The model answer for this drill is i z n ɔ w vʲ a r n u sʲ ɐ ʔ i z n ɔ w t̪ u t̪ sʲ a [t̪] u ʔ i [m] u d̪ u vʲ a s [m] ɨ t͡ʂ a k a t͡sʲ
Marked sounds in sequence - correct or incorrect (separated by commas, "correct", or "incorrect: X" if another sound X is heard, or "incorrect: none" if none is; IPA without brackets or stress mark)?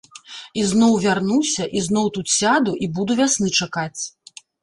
incorrect: d̪, incorrect: b, incorrect: n